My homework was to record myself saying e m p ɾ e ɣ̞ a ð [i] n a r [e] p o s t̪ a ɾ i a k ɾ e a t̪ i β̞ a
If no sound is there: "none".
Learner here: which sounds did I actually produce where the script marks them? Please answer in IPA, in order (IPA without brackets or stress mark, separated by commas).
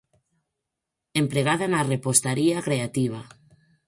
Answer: a, e